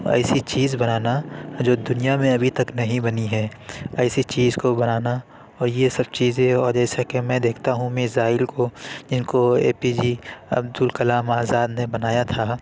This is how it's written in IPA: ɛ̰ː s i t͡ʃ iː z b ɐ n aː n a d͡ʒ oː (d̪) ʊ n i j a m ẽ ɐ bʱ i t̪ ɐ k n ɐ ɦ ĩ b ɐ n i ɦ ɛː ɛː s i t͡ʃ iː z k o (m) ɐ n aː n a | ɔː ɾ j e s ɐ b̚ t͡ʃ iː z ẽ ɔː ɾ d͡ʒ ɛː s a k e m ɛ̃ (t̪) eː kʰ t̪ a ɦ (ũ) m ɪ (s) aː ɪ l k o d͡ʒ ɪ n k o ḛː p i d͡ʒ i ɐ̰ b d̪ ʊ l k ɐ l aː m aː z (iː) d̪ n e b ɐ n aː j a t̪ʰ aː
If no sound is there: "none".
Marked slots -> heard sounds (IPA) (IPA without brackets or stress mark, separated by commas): d̪, b, d̪, ũ, z, aː